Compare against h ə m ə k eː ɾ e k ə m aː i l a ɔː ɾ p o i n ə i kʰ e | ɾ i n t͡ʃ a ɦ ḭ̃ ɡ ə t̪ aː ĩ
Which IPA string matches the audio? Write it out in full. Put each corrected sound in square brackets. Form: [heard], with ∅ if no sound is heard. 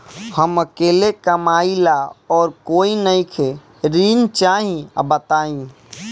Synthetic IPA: h ə m ə k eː [l] e k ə m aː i l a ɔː ɾ [k] o i n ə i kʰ e | ɾ i n t͡ʃ a ɦ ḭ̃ [b] ə t̪ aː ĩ